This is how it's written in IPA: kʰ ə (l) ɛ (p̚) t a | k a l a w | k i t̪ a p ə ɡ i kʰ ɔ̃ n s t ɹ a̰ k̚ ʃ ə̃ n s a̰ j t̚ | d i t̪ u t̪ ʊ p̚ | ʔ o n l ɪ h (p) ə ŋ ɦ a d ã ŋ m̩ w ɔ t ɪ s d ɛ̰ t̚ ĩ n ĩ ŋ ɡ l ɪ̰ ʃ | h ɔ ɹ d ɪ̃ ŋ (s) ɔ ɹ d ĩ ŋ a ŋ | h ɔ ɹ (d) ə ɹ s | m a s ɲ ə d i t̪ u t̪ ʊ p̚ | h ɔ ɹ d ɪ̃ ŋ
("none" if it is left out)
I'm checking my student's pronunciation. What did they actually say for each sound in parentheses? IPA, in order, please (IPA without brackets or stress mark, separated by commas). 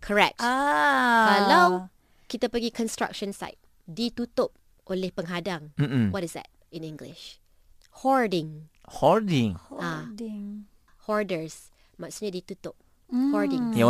ɹ, k̚, p, h, d